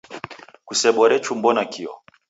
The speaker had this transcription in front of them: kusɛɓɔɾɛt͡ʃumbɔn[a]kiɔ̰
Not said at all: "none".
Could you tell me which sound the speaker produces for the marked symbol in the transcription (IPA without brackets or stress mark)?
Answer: a